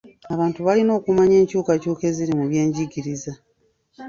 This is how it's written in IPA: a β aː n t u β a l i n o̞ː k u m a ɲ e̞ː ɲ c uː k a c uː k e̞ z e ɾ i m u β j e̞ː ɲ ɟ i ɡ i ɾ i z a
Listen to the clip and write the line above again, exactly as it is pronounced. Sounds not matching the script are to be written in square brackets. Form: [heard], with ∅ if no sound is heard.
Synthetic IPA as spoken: a β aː n t u β a l i n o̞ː k u m a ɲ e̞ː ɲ c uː k a c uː k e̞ z [i] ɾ i m u β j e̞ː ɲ ɟ i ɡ i ɾ i z a